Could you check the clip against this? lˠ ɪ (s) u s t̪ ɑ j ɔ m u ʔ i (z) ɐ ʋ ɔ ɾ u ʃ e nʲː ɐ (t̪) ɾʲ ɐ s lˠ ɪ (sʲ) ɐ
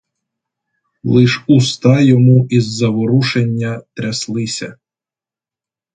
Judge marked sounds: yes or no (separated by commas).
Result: no, no, yes, yes